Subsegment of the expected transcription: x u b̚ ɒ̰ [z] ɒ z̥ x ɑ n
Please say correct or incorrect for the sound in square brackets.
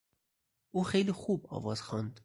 incorrect